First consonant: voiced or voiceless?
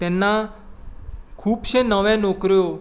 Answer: voiceless